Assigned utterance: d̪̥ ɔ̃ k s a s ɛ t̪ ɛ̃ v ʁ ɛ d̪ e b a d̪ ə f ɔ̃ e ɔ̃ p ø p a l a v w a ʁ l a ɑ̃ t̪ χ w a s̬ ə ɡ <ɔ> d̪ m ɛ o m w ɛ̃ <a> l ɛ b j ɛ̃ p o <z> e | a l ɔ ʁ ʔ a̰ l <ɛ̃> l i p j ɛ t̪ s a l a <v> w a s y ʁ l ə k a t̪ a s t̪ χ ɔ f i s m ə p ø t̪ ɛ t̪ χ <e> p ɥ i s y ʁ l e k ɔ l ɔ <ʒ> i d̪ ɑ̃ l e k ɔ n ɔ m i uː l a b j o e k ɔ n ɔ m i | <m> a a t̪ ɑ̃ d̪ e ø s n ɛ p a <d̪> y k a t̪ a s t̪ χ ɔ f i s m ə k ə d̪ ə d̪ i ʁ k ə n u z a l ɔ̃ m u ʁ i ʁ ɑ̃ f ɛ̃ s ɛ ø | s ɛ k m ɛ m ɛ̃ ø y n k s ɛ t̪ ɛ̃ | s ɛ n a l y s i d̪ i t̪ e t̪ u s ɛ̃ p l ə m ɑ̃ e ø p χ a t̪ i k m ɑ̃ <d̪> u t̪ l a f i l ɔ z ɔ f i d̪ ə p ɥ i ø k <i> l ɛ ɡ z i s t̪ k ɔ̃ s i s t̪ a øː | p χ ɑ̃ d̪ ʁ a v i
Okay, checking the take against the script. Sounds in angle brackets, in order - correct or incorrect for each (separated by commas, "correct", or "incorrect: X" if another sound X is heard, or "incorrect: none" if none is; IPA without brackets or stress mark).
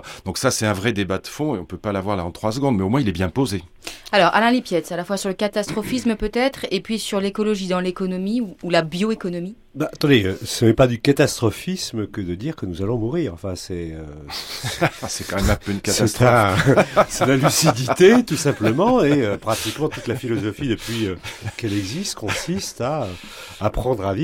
incorrect: ɔ̃, incorrect: i, correct, correct, incorrect: f, correct, correct, incorrect: b, correct, incorrect: t̪, incorrect: ɛ